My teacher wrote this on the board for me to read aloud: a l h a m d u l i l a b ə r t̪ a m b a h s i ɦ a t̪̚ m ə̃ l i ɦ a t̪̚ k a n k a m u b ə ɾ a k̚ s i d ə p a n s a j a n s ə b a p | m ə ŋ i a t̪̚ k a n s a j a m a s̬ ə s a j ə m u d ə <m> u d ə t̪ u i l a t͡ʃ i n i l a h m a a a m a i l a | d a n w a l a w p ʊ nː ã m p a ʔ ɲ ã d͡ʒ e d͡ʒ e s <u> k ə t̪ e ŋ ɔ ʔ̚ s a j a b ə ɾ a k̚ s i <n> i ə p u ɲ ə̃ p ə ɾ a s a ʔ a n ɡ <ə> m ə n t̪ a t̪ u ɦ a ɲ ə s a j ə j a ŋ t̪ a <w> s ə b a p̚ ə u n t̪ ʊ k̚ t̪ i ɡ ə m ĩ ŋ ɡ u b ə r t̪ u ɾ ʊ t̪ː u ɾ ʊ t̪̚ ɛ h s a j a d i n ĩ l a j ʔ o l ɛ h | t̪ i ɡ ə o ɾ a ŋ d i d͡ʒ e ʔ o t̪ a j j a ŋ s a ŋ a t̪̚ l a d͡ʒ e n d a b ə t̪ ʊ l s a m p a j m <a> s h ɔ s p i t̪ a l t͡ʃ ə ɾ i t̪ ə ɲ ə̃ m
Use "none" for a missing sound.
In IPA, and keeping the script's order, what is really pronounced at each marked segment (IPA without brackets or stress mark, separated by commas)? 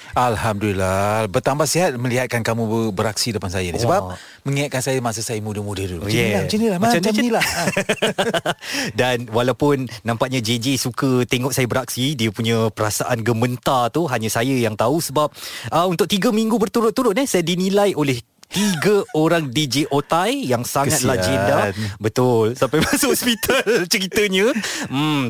m, u, d, ə, u, a